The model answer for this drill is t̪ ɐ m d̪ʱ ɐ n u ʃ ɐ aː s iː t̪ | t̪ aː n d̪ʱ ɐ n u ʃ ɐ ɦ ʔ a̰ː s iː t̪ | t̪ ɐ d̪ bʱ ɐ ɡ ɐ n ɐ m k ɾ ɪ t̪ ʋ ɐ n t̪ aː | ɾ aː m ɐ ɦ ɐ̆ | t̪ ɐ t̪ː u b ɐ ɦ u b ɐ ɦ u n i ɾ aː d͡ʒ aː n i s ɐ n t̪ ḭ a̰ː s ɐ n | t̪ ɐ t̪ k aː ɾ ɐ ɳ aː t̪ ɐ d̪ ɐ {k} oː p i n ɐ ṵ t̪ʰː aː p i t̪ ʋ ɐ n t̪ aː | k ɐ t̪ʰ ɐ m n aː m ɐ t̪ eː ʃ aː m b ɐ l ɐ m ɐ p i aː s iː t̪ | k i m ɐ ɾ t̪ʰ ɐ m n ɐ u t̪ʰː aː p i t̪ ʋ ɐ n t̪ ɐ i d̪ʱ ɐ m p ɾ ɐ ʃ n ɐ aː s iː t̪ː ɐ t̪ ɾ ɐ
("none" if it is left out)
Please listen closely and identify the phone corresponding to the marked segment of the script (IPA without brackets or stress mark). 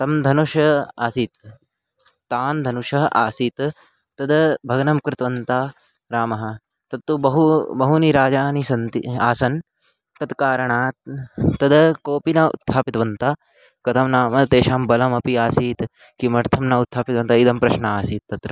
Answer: k